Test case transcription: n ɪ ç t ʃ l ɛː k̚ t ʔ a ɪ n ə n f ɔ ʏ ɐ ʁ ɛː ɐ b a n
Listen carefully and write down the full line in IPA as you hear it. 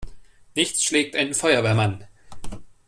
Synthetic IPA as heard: n ɪ ç t͡s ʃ l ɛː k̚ t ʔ a ɪ n ə n f ɔ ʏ ɐ v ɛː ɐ m a n